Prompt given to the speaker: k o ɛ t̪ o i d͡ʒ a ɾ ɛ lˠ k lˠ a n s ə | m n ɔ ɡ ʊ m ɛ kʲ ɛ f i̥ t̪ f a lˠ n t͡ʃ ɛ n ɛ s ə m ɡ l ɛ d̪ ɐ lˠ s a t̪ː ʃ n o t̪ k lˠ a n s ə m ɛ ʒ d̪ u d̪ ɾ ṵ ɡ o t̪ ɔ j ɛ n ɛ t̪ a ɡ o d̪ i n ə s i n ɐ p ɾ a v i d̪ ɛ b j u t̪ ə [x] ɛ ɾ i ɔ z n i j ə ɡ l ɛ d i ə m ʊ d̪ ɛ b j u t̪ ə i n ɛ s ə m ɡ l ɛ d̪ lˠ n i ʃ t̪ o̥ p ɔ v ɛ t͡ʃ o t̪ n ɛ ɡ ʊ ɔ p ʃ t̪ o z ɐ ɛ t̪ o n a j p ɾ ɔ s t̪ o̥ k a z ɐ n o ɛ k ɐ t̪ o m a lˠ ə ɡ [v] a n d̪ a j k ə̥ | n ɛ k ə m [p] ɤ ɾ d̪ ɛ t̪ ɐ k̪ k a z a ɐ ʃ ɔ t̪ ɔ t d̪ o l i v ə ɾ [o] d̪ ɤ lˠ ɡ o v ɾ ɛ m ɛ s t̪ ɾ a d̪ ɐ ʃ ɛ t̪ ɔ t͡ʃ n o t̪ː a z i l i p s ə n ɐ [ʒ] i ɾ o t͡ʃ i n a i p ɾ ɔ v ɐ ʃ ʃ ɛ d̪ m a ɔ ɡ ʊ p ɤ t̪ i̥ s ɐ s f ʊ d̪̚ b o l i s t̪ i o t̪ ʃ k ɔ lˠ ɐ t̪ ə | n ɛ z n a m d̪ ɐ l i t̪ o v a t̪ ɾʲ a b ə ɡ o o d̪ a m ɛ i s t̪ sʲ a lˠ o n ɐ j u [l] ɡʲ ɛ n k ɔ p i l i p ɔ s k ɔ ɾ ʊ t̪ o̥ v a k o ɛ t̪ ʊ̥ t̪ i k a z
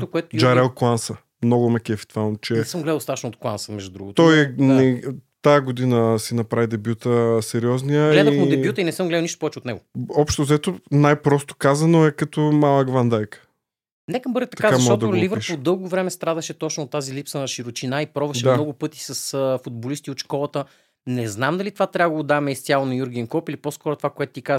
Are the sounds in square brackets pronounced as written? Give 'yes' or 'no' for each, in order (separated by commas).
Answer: no, yes, no, yes, no, no